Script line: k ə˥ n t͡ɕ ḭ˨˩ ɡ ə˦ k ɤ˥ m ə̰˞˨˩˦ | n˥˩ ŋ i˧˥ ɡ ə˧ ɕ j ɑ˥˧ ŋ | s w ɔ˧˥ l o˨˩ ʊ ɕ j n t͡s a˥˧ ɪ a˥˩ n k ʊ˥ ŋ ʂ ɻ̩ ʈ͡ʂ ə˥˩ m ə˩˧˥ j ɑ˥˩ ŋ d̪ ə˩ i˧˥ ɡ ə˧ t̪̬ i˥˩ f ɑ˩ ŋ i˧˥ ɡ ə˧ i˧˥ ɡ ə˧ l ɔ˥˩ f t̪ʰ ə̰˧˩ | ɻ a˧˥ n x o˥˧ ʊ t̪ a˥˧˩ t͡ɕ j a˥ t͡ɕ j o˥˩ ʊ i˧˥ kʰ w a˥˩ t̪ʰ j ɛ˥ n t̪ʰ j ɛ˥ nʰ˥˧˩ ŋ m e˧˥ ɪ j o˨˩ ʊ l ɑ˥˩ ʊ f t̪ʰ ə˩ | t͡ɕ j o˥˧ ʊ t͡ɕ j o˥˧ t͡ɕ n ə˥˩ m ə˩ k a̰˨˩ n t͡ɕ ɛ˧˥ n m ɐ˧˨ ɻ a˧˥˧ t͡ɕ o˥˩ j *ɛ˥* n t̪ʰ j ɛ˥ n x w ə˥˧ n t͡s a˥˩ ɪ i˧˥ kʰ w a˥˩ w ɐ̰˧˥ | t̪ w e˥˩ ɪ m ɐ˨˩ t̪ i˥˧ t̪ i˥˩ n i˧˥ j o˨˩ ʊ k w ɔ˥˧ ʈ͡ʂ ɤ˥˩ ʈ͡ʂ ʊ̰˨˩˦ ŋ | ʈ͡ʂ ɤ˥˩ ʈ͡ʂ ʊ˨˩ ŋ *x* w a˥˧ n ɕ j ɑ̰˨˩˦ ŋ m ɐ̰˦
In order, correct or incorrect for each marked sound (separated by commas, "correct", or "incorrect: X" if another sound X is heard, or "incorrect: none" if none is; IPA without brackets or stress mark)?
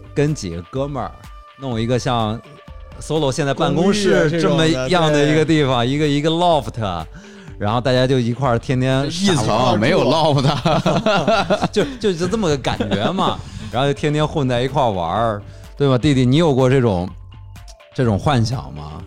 correct, correct